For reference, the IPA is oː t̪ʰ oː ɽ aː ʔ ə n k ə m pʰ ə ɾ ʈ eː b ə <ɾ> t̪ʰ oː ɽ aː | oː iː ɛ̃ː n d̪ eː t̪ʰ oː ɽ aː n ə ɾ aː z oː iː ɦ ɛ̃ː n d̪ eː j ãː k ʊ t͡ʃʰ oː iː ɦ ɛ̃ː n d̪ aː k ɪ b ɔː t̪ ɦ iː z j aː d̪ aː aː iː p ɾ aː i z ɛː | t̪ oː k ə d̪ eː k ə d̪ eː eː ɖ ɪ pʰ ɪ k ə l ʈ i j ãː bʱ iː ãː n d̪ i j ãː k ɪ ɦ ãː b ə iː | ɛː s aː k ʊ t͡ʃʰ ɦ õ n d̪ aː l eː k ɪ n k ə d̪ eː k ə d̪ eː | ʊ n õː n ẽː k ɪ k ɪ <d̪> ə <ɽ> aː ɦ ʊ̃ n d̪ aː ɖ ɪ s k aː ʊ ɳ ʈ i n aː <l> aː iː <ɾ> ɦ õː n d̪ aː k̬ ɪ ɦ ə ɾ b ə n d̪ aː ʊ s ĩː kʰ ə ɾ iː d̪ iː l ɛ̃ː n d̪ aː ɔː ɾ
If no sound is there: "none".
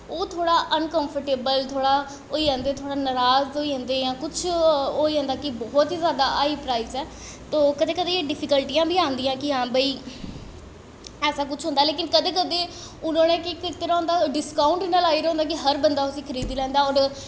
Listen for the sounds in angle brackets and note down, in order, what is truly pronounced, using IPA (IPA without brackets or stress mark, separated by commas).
l, t̪, ɾ, l, ɾ